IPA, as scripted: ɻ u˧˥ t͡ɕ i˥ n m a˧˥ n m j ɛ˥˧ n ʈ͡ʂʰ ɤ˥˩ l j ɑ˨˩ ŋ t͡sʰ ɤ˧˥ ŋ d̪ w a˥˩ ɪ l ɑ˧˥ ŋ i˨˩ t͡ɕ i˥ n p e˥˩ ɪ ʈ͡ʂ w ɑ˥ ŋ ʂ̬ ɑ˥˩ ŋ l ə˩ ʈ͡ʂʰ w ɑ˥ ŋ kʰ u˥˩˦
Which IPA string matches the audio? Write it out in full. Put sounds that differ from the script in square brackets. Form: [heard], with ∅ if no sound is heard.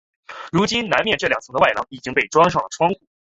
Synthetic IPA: ɻ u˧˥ t͡ɕ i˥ n [n] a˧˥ n m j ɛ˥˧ n [ʈ͡ʂ] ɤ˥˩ l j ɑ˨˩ ŋ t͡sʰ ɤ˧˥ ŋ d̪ w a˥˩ ɪ l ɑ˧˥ ŋ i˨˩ t͡ɕ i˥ [ŋ] p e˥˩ ɪ ʈ͡ʂ w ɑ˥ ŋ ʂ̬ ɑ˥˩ ŋ l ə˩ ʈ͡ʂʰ w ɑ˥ ŋ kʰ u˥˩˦